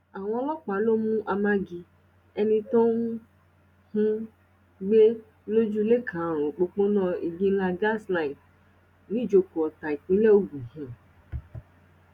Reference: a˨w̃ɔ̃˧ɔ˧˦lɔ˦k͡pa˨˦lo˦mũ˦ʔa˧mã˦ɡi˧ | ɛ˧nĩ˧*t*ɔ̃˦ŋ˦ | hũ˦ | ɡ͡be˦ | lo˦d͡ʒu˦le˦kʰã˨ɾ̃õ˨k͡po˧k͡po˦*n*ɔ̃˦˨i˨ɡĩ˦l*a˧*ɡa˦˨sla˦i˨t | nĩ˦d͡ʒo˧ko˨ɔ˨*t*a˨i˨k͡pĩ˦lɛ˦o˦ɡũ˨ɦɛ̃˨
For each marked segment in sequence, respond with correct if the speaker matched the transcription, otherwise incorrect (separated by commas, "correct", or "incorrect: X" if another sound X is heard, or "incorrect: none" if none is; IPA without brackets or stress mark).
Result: correct, correct, correct, correct